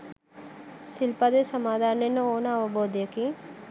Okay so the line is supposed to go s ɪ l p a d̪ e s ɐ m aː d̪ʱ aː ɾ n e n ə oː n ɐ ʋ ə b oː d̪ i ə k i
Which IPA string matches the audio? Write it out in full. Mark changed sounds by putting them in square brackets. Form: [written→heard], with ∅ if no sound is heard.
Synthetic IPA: s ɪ l p a d̪ e s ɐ m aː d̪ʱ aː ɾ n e n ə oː n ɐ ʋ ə b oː d̪ [i→j] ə k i